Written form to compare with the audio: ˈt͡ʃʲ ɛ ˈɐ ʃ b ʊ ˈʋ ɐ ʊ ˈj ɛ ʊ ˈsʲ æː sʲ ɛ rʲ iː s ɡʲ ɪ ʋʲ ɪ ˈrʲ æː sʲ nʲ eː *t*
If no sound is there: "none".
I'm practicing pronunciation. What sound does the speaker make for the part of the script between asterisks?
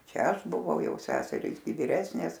s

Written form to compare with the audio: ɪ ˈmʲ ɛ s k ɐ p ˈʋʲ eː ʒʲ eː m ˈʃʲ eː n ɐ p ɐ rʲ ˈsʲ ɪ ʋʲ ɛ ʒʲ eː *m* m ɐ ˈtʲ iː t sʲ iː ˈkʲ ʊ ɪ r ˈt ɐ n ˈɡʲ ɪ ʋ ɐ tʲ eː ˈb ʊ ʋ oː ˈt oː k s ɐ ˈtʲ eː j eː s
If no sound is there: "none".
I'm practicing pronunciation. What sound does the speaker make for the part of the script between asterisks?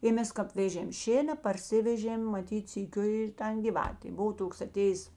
m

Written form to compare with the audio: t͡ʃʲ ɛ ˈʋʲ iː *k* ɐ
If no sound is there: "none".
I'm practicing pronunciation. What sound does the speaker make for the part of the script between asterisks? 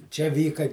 k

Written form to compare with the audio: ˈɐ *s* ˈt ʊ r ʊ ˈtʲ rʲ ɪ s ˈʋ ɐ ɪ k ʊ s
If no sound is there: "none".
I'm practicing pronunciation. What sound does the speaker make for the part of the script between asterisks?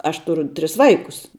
ʃ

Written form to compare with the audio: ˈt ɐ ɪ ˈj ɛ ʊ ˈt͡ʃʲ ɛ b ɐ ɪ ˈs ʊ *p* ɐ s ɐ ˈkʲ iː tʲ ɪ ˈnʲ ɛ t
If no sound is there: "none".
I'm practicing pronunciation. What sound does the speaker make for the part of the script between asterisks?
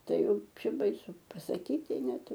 p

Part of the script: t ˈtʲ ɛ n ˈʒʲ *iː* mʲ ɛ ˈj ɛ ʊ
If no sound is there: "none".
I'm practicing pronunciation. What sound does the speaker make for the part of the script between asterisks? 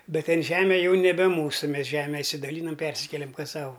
æː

